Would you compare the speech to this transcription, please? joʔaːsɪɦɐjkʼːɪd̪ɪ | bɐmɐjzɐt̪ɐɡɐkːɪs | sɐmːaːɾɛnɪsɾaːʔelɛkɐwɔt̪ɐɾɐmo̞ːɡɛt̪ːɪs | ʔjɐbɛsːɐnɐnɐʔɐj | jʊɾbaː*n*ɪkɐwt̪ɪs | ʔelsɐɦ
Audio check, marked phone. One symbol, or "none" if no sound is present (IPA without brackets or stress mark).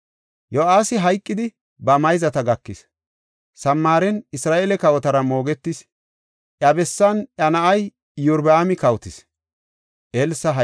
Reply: m